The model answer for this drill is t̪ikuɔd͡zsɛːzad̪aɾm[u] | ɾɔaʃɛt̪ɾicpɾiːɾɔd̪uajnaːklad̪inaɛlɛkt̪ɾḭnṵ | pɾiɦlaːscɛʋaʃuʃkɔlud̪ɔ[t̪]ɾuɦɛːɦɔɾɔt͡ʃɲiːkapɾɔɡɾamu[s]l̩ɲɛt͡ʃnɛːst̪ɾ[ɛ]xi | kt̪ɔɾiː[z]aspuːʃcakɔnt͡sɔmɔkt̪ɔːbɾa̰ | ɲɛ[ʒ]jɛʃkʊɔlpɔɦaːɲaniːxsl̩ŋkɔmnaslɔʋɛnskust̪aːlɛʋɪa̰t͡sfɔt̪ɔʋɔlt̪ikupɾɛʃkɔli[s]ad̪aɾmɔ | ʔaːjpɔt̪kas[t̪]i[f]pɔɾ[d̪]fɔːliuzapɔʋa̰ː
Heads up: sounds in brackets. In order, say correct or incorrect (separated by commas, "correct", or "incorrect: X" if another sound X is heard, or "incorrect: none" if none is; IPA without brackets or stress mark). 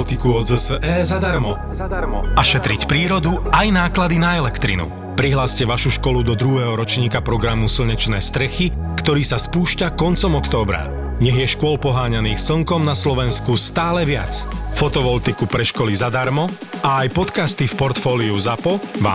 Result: incorrect: ɔ, incorrect: d̪, correct, correct, incorrect: s, incorrect: ɣ, incorrect: z, correct, correct, incorrect: t̪